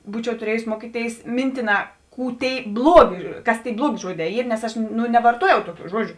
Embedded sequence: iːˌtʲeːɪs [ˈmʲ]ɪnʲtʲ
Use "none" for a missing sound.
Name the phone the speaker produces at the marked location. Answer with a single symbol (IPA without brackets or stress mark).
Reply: mʲ